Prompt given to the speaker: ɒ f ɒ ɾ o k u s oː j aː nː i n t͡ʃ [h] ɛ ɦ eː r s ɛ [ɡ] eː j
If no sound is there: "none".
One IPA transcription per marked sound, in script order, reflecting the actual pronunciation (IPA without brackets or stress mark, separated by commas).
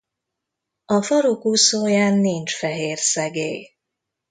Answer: f, ɡ